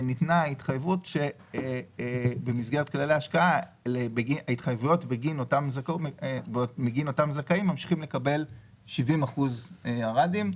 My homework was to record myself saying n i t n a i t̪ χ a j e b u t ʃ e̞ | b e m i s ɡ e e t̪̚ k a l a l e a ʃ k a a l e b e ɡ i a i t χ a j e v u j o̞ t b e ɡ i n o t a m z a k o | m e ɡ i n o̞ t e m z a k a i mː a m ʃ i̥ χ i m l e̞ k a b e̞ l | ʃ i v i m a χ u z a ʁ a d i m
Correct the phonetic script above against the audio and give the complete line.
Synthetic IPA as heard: n i t n a i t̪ χ a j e v u t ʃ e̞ | b e m i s ɡ e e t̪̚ k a l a l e a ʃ k a a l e b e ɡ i a i t χ a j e v u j o̞ t b e ɡ i n o t a m z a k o | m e ɡ i n o̞ t a m z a k a i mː a m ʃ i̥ χ i m l e̞ k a b e̞ l | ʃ i v i m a χ u z a ʁ a d i m